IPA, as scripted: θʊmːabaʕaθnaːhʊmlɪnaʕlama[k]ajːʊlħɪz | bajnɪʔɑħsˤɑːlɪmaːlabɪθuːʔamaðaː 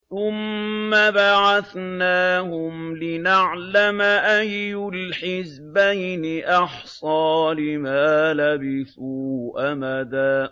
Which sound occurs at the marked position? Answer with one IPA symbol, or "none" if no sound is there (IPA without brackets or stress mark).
ʔ